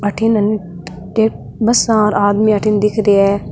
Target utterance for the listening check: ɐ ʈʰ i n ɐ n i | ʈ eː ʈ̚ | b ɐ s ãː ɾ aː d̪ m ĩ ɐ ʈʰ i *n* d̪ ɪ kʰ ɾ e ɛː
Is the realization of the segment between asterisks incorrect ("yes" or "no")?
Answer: no